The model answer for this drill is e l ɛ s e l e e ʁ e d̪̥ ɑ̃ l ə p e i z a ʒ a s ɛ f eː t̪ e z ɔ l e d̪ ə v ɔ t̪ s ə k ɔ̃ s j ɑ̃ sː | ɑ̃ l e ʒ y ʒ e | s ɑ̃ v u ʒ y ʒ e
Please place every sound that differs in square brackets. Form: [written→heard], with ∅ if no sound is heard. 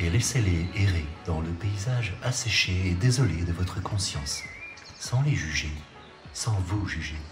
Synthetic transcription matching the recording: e l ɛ s e l e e ʁ e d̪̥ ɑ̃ l ə p e i z a ʒ a s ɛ [f→ʃ] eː [t̪→d̪] e z ɔ l e d̪ ə v ɔ t̪ [s→χ] ə k ɔ̃ s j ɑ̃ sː | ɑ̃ l e ʒ y ʒ e | s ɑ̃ v u ʒ y ʒ e